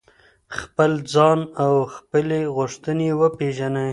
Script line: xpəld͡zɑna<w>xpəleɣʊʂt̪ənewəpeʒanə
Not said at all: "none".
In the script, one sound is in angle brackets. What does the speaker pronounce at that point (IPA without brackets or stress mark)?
w